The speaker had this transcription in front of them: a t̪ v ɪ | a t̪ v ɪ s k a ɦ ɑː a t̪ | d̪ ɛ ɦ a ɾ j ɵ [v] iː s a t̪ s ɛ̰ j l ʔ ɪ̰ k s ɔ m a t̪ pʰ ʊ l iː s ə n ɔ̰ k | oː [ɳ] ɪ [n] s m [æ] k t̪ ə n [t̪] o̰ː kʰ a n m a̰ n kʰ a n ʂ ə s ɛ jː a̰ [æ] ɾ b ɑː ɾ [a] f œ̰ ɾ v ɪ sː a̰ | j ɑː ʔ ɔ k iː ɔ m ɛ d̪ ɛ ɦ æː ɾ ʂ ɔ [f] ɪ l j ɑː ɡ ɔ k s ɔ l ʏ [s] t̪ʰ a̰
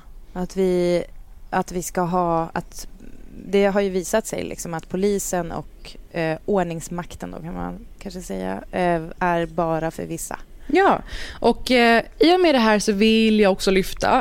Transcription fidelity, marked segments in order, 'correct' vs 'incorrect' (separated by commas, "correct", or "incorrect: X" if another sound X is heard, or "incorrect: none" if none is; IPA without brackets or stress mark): correct, correct, incorrect: ŋ, incorrect: a, incorrect: d̪, correct, correct, incorrect: v, incorrect: f